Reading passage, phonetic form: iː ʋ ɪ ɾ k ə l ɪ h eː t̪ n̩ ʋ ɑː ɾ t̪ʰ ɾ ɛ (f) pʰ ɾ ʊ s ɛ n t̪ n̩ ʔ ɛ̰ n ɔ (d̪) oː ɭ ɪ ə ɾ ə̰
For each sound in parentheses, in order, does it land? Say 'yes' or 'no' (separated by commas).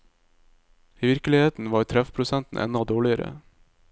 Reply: yes, yes